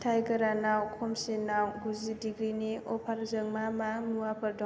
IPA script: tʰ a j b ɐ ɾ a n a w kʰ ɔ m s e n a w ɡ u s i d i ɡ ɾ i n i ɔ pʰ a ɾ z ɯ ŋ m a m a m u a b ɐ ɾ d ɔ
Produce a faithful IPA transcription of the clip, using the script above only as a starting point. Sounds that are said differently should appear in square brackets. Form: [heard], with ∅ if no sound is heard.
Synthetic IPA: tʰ a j [ɡ] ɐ ɾ a n a w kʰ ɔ m s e n a w ɡ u [z] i d i ɡ ɾ i n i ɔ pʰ a ɾ z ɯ ŋ m a m a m u a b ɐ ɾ d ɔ